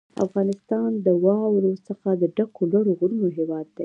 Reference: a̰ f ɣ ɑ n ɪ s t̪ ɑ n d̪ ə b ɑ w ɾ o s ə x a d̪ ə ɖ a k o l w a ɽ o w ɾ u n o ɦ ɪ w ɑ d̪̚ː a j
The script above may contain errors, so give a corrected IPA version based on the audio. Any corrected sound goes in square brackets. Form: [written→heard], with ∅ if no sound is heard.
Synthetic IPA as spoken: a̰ f ɣ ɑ n ɪ s t̪ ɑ n d̪ ə [b→w] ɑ w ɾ o s ə x a d̪ ə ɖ a k o l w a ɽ o [w→ɣ] ɾ u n o ɦ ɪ w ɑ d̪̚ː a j